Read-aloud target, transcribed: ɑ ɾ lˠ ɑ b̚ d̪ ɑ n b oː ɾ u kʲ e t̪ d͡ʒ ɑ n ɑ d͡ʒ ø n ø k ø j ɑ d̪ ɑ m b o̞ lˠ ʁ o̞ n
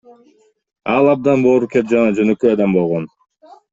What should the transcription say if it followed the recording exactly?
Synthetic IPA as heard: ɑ lˠ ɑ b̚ d̪ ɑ n b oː ɾ u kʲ e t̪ d͡ʒ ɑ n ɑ d͡ʒ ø n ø k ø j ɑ d̪ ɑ m b o̞ lˠ ʁ o̞ n